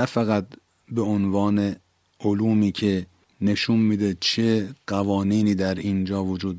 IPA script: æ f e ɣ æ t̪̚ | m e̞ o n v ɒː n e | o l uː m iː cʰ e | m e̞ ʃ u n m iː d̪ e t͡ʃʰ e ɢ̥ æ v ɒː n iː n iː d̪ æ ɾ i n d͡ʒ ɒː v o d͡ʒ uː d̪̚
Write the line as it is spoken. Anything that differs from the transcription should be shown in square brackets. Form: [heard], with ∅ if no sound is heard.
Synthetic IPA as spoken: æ f [æ] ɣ æ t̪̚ | [b] e̞ o n v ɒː n e | o l uː m iː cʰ e | [n] e̞ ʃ u n m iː d̪ e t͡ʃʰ e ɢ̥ æ v ɒː n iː n iː d̪ æ ɾ i n d͡ʒ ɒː v o d͡ʒ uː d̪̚